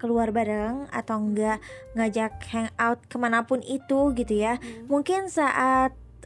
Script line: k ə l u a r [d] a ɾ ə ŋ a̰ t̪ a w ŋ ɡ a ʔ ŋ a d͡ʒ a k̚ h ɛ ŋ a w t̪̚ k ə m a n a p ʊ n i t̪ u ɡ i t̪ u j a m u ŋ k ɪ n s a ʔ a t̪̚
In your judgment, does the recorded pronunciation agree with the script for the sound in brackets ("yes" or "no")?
no